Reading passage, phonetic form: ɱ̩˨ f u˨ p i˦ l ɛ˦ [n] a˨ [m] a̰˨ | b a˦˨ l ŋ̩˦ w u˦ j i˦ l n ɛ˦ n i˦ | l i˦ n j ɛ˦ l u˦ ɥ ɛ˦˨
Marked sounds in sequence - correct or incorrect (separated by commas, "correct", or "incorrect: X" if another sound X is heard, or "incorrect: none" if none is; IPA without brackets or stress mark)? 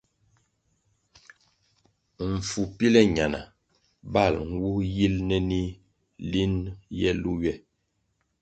incorrect: ɲ, incorrect: n